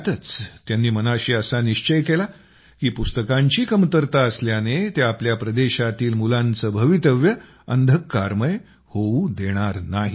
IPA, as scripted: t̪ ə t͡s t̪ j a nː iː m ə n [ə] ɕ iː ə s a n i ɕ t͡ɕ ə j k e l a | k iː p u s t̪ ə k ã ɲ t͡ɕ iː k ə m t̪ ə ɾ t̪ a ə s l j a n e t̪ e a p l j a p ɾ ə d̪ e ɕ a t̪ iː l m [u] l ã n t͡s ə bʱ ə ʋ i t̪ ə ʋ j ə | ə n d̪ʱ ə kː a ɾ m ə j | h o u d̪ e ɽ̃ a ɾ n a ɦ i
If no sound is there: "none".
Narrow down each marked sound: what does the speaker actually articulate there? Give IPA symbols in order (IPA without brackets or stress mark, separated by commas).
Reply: a, u